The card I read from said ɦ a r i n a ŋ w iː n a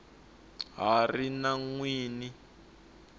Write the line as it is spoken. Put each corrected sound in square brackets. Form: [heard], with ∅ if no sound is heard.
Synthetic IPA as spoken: ɦ a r i n a ŋ w iː n [i]